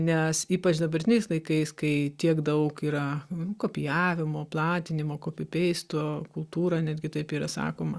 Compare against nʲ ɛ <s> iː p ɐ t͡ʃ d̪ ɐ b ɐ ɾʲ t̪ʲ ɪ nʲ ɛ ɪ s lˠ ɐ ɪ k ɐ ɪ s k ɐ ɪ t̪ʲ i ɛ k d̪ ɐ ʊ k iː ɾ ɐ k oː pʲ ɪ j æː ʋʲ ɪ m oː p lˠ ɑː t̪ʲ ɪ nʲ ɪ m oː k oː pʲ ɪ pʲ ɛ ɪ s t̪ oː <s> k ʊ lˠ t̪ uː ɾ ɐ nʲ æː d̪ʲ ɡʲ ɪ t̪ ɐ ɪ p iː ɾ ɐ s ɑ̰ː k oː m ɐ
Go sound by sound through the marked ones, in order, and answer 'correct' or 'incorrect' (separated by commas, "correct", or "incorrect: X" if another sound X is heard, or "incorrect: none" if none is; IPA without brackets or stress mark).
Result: correct, incorrect: none